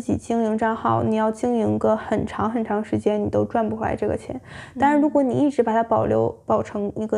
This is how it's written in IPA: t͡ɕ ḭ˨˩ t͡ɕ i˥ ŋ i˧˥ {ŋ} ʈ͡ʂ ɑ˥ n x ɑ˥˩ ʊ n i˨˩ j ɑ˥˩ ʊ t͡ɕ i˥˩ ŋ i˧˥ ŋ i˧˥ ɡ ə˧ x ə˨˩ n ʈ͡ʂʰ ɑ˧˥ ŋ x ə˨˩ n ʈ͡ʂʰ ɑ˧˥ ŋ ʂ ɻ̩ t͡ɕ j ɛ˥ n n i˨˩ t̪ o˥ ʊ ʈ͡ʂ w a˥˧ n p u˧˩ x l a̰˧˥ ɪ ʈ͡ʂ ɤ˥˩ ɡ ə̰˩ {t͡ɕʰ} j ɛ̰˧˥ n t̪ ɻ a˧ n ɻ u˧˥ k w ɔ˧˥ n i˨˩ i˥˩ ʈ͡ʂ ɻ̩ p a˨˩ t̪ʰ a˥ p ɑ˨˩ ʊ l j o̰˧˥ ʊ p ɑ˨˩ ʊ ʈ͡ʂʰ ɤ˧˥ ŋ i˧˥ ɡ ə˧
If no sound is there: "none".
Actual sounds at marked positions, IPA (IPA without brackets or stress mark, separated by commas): ŋ, t͡ɕʰ